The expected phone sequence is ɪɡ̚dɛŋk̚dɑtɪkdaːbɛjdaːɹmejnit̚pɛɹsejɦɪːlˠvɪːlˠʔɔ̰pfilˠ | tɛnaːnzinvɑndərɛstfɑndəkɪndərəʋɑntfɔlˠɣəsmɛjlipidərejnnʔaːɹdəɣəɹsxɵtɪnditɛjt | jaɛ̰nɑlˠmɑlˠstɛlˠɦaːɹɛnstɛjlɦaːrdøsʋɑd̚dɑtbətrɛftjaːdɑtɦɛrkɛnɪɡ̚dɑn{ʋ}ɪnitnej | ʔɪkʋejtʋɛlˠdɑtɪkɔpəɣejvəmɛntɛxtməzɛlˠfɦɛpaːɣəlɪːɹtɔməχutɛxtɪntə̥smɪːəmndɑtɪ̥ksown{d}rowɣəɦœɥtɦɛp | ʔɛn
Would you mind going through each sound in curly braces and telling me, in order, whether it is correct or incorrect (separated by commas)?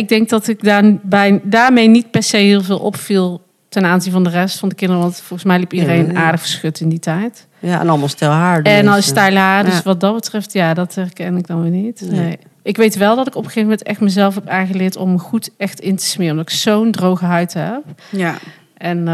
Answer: correct, correct